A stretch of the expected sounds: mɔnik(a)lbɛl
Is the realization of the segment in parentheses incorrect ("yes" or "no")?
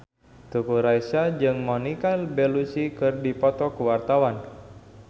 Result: no